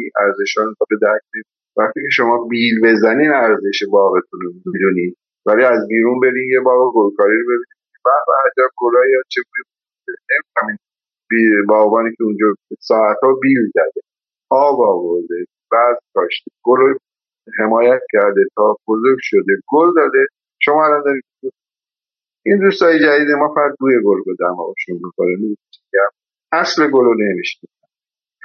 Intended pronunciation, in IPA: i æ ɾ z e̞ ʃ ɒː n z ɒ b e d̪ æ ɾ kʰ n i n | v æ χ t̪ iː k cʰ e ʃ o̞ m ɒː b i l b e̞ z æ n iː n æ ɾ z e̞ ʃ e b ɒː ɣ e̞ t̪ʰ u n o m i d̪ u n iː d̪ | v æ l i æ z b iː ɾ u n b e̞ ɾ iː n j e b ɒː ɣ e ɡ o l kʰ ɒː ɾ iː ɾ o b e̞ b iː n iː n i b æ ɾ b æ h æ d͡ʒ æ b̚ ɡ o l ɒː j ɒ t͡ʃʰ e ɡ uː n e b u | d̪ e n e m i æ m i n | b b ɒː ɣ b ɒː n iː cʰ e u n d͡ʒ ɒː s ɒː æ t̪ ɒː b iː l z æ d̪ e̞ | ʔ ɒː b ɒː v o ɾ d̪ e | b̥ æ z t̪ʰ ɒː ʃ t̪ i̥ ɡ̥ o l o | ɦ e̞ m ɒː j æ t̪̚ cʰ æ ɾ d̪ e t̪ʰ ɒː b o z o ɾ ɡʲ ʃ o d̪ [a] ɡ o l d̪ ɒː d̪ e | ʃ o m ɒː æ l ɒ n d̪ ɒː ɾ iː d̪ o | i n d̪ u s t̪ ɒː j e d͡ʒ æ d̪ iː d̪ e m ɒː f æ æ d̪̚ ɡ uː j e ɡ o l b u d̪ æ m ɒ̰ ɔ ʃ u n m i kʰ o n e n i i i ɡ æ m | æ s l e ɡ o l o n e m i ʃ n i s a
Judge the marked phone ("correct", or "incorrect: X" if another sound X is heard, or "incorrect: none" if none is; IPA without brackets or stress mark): incorrect: e